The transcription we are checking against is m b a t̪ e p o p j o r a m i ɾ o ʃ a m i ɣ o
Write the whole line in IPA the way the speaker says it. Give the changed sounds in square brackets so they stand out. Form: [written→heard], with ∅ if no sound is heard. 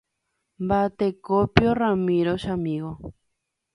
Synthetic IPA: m b a t̪ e [p→k] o p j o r a m i ɾ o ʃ a m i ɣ o